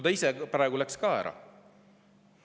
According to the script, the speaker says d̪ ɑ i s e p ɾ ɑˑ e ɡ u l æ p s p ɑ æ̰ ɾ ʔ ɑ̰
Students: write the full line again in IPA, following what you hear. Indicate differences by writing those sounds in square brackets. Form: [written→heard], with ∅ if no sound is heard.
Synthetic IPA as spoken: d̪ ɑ i s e p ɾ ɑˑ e ɡ u l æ [p→k] s [p→k] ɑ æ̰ ɾ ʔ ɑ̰